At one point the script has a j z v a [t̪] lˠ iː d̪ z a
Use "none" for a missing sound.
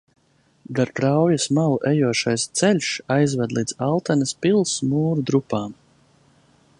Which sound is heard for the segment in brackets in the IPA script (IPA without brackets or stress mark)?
d̪